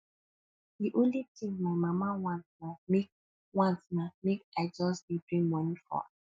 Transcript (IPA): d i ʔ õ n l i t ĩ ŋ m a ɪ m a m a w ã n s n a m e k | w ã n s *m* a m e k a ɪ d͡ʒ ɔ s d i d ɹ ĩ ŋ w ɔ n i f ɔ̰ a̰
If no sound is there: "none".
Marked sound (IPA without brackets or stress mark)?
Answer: n